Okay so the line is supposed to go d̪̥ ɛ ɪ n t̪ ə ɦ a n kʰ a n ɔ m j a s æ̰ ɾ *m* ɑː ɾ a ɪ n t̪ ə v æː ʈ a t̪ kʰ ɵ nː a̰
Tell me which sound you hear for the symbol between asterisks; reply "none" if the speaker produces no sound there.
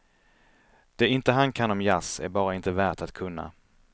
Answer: b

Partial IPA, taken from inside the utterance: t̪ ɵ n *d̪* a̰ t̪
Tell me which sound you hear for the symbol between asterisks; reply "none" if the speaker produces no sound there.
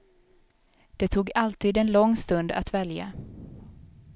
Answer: d̪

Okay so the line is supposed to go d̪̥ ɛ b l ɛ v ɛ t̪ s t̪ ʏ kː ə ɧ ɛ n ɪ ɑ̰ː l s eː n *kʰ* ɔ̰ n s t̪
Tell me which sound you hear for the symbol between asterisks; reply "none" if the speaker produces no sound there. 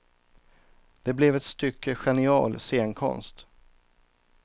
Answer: kʰ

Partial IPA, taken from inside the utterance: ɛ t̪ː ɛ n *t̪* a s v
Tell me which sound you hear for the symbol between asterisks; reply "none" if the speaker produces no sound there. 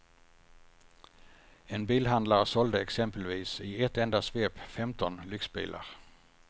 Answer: d̪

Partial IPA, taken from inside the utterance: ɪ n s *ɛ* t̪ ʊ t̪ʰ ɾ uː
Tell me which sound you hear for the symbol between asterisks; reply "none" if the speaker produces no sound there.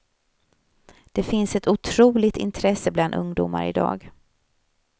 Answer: ɛ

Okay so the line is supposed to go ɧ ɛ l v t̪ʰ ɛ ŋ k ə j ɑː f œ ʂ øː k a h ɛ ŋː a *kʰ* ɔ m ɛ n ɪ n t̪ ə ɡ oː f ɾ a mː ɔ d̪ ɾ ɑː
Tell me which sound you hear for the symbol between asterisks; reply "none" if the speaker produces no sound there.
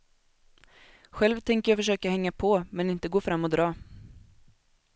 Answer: pʰ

